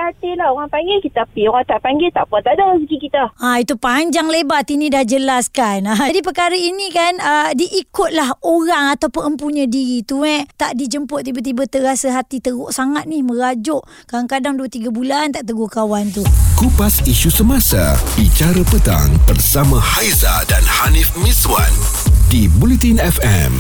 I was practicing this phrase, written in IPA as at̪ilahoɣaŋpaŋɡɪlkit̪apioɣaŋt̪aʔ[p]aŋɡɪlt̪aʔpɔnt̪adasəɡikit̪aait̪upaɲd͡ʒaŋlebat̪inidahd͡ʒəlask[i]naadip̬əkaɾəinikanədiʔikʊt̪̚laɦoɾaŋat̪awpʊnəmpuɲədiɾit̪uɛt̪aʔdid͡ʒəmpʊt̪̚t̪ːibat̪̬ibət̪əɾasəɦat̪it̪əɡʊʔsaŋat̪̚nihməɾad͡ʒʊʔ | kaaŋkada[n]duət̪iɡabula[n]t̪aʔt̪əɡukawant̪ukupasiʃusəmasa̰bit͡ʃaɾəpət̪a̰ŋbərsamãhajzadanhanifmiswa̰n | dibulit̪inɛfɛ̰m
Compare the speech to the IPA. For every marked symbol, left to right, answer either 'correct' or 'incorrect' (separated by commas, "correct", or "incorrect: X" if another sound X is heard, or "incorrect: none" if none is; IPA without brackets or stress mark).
correct, incorrect: a, incorrect: ŋ, correct